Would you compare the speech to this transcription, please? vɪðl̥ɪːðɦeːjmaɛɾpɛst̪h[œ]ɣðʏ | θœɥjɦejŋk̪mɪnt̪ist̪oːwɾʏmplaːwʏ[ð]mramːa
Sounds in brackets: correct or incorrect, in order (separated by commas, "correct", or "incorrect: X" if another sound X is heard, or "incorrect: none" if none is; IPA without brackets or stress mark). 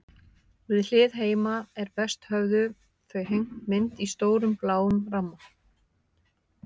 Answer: correct, incorrect: none